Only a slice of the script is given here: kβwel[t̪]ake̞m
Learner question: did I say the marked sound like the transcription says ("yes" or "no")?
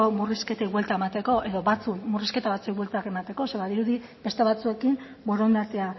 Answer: yes